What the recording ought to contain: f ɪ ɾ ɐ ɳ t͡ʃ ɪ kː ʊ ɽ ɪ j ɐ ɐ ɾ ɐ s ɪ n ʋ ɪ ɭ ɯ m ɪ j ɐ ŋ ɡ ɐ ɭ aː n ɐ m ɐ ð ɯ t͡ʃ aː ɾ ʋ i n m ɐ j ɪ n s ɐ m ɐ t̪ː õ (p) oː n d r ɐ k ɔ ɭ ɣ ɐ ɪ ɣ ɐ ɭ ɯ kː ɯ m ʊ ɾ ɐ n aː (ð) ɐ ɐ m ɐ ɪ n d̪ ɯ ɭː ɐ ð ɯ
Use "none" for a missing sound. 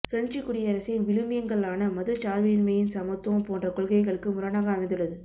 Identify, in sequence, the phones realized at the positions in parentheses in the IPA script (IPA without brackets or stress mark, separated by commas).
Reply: p, ɣ